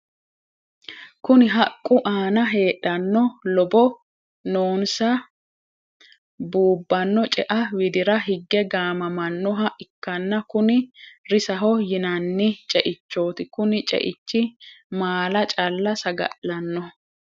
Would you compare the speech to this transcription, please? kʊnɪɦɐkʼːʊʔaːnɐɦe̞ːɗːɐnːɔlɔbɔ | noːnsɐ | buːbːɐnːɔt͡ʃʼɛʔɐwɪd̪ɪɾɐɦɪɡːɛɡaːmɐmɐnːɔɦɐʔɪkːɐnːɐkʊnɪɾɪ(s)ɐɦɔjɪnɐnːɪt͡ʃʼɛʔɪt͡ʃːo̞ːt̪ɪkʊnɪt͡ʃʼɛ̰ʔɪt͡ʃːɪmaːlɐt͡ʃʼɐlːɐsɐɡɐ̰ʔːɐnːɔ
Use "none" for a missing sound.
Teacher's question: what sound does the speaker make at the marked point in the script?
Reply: s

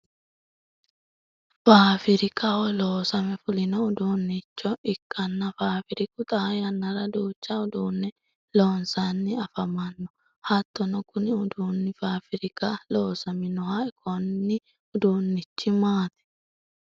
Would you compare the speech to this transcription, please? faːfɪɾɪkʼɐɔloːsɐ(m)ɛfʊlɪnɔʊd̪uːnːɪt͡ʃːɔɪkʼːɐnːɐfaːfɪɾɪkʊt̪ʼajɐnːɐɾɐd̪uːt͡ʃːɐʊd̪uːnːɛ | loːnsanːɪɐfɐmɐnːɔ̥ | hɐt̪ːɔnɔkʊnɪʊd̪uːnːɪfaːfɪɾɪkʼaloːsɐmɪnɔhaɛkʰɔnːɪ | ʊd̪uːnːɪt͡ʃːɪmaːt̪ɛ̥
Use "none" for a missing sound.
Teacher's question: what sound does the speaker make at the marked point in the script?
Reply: m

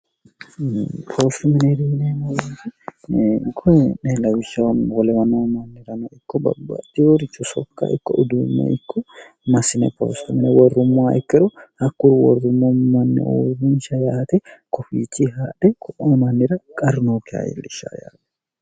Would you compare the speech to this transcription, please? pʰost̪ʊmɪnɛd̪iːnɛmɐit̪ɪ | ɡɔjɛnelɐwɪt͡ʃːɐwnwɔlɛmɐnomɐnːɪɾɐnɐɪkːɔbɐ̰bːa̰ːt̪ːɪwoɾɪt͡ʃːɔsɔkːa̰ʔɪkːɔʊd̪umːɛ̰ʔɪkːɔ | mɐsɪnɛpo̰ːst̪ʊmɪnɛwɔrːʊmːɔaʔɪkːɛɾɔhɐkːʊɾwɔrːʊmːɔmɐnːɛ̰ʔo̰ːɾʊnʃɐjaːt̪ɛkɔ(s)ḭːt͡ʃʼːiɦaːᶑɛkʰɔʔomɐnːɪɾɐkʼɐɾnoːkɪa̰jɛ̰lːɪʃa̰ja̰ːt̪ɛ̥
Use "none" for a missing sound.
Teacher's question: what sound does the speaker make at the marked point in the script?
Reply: f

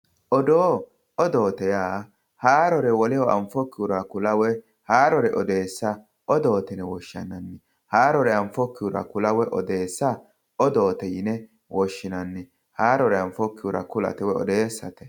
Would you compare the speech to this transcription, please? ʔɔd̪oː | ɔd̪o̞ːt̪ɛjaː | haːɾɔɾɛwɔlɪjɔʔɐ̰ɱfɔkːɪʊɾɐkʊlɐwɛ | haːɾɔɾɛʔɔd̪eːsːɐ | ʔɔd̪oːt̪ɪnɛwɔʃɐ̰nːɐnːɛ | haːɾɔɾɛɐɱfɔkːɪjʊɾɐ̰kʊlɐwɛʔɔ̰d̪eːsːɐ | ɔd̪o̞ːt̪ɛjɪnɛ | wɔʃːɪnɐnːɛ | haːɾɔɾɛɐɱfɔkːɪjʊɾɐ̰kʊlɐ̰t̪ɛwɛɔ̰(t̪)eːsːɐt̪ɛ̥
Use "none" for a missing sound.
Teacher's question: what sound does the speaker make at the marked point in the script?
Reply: d̪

